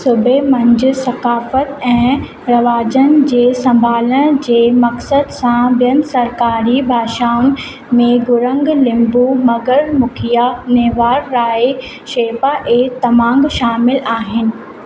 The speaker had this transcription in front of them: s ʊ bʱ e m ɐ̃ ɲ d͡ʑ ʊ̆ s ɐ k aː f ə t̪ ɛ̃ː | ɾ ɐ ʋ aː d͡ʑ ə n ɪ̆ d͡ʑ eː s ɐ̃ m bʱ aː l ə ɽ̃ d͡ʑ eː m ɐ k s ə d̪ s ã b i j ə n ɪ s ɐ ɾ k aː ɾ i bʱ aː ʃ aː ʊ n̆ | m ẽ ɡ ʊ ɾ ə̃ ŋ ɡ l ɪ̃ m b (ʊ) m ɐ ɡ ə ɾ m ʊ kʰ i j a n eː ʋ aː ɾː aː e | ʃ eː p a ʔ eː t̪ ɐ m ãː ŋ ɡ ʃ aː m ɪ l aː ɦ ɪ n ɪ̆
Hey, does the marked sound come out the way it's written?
no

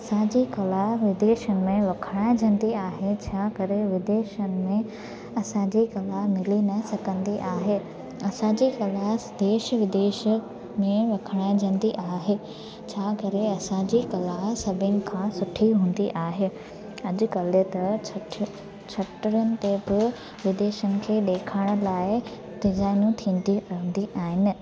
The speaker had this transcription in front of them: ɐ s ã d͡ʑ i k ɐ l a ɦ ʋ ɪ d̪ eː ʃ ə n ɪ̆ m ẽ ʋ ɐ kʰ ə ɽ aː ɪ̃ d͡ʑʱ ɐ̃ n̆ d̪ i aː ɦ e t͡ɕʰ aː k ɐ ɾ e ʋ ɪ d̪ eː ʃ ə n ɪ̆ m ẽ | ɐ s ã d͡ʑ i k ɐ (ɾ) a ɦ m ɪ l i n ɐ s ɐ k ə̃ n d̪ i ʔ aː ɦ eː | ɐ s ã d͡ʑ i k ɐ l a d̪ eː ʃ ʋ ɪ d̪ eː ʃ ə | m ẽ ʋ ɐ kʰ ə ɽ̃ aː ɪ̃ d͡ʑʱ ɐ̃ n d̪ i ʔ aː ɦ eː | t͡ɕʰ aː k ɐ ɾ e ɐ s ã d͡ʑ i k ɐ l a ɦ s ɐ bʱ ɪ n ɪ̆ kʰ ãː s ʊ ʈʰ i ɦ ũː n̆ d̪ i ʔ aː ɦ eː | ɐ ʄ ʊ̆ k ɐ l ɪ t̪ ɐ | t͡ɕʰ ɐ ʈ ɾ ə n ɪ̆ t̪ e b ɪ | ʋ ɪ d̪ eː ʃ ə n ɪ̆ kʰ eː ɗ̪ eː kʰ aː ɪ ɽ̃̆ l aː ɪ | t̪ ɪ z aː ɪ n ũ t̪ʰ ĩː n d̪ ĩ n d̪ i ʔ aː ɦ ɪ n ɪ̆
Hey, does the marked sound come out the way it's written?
no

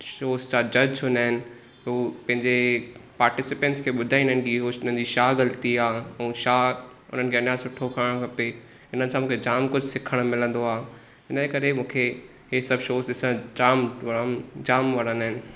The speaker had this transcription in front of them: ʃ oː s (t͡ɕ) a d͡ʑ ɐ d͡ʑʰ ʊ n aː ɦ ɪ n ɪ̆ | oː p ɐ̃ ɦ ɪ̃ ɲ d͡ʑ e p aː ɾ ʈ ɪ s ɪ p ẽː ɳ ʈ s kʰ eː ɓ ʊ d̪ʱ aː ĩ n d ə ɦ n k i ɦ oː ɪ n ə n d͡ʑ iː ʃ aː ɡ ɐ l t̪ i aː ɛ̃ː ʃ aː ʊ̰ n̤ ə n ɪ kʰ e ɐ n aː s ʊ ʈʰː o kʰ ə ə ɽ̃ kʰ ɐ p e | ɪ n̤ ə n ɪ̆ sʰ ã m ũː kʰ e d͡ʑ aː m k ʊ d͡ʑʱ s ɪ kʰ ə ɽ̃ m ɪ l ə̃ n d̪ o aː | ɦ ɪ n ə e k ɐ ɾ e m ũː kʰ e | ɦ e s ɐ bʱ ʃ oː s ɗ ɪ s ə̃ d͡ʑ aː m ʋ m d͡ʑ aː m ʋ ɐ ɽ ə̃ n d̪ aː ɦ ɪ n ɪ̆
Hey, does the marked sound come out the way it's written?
yes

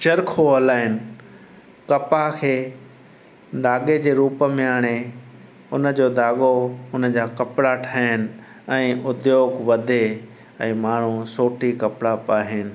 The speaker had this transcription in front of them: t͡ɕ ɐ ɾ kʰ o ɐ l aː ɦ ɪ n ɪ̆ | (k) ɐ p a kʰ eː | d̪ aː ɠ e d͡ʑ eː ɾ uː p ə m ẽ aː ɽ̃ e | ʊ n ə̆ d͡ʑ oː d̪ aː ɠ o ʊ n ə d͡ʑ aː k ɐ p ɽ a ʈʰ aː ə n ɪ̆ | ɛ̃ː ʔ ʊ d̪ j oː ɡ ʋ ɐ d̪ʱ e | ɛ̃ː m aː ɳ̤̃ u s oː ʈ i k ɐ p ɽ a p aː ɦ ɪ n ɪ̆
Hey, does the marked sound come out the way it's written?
yes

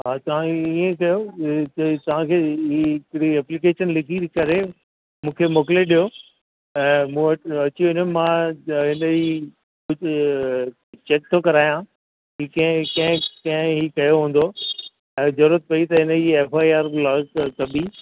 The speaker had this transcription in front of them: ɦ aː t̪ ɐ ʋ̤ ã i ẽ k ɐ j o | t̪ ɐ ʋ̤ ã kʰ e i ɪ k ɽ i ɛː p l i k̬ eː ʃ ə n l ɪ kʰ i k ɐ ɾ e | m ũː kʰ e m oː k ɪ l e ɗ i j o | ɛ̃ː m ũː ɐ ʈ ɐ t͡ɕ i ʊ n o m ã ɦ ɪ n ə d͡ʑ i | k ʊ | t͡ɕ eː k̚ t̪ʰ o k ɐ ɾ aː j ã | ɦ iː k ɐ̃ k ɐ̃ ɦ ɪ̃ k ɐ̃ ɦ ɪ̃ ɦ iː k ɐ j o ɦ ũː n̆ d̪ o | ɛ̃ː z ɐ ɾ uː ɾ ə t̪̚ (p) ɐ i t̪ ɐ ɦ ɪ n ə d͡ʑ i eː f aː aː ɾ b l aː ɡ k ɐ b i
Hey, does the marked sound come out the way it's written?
yes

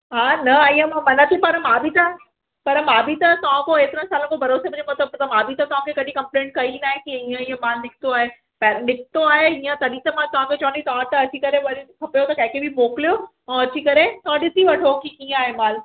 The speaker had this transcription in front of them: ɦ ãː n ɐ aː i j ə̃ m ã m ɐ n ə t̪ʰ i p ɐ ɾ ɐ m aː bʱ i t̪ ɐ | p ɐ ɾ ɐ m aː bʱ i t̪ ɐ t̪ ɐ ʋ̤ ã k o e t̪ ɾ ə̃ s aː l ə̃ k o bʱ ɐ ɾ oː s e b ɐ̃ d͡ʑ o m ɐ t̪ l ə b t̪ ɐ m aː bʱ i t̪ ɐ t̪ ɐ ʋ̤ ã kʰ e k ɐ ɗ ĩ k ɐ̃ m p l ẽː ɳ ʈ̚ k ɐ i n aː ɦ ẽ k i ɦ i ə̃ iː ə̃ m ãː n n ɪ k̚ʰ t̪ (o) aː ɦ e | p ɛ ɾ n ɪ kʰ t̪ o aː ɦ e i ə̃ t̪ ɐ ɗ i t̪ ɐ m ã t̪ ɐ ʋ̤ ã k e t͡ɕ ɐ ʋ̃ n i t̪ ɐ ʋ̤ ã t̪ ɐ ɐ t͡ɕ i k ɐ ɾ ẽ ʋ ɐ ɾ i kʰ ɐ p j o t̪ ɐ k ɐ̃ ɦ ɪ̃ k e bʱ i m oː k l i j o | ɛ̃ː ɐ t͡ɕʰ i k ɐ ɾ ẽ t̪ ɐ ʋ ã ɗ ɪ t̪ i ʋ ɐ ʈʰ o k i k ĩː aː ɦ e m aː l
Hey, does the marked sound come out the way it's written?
yes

